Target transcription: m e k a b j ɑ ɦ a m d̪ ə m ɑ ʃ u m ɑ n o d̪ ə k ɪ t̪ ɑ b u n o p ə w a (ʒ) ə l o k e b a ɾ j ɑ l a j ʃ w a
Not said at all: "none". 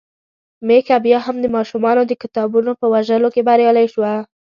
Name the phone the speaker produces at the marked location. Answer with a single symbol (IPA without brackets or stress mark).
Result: ʒ